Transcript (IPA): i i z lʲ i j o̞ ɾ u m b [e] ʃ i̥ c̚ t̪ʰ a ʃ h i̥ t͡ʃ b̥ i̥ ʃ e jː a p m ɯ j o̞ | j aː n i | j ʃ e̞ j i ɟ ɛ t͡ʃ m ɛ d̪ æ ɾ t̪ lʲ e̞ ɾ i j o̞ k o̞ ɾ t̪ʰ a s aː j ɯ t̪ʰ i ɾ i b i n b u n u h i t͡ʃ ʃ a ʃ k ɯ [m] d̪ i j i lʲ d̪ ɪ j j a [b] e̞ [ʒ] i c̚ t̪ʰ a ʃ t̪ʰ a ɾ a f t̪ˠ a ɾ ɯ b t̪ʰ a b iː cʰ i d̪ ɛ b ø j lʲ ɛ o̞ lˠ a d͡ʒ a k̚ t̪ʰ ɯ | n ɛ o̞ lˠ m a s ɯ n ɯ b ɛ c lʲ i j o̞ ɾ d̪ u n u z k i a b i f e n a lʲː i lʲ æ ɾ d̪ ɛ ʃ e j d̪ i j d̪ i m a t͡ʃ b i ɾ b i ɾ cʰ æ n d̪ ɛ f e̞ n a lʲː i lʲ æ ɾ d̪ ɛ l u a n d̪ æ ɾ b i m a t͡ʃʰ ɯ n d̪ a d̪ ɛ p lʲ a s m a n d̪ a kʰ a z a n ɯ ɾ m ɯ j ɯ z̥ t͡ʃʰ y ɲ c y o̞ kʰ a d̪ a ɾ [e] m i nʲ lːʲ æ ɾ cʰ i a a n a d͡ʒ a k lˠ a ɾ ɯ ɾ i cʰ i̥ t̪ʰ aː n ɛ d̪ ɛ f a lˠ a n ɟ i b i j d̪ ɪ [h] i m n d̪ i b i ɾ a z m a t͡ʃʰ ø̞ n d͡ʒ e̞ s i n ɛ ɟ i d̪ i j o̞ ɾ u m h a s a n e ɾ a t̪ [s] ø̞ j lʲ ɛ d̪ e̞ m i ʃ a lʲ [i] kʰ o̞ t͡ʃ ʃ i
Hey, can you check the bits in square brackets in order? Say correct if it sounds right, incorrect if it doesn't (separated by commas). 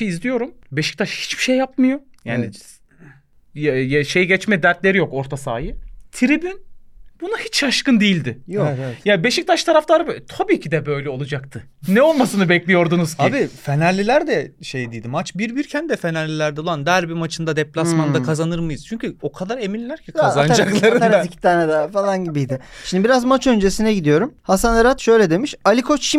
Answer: correct, incorrect, correct, incorrect, correct, incorrect, incorrect, correct